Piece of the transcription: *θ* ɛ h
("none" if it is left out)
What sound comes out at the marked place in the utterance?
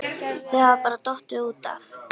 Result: θ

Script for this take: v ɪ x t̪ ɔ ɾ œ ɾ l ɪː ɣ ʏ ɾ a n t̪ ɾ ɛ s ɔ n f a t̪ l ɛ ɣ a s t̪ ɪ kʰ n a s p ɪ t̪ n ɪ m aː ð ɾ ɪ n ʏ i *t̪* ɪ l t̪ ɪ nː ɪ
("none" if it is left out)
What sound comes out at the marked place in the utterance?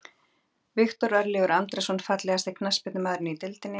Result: t̪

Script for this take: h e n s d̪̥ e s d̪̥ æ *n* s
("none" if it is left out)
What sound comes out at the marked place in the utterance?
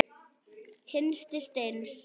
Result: n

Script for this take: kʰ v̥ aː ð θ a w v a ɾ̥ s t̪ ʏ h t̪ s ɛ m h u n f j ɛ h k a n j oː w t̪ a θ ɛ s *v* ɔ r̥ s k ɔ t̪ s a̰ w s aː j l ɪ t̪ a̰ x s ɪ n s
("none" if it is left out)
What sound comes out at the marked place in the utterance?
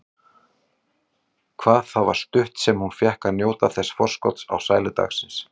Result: f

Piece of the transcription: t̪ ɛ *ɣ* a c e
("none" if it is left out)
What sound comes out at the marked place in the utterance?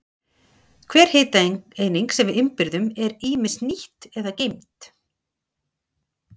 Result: ð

